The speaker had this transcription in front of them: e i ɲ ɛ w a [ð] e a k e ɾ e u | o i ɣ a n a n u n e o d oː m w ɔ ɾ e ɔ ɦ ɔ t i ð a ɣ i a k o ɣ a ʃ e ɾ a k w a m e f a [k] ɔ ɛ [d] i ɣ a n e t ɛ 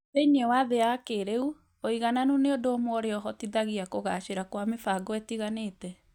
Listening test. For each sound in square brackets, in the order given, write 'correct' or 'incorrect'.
correct, incorrect: ɡ, incorrect: t

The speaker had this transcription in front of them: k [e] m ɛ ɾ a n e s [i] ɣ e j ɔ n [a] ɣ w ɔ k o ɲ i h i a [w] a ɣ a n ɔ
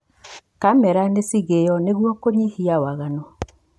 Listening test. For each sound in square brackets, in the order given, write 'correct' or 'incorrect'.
incorrect: a, correct, incorrect: e, correct

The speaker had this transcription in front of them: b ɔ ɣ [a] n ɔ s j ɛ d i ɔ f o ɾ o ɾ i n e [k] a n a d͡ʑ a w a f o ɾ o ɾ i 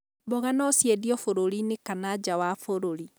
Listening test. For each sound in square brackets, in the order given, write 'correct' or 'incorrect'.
correct, correct

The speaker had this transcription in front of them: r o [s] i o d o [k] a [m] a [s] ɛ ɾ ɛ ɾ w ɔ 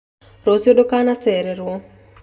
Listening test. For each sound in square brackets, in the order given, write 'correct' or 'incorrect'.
correct, correct, incorrect: n, correct

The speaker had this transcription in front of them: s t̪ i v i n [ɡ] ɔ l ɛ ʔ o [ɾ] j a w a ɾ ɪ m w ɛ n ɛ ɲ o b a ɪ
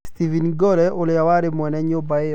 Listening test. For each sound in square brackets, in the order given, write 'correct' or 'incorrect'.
correct, incorrect: l

